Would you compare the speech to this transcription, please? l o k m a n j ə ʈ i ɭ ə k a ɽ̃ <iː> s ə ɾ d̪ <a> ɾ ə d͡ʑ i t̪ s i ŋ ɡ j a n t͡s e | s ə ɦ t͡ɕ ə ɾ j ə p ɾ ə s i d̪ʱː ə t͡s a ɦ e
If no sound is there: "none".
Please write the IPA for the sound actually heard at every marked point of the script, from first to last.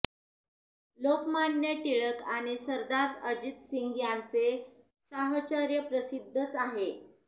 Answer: i, a

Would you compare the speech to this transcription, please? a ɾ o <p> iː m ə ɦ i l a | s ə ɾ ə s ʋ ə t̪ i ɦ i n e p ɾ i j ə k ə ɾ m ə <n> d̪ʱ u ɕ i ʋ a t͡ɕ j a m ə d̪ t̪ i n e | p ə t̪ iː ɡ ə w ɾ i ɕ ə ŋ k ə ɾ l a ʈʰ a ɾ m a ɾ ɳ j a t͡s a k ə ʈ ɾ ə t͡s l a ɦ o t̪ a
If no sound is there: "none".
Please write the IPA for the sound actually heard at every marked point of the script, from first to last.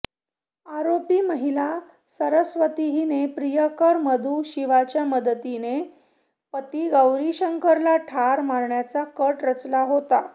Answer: p, none

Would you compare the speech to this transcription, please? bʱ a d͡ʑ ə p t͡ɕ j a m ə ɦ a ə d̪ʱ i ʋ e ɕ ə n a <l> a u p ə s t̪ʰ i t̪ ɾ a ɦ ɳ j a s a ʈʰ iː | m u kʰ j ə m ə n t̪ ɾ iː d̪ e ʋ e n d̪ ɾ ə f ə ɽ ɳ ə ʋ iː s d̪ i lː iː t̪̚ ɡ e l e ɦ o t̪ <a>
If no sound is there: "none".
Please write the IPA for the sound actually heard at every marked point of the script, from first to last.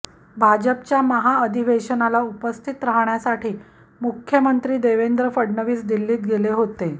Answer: l, e

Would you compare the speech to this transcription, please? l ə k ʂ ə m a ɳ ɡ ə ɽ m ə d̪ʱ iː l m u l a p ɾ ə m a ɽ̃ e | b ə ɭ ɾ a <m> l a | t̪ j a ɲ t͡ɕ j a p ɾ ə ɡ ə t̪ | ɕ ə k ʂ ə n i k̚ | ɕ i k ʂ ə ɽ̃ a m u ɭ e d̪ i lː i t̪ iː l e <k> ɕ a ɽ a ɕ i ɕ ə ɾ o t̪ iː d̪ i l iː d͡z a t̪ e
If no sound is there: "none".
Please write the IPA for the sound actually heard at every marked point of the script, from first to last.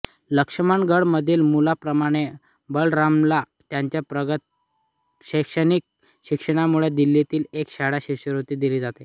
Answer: m, k

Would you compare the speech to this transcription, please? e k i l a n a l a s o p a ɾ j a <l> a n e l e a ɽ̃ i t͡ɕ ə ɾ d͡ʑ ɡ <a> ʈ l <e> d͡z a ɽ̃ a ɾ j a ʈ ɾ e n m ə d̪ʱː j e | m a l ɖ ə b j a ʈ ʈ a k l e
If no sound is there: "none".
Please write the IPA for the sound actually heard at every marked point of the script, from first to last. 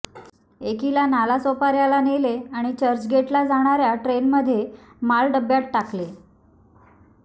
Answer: l, e, a

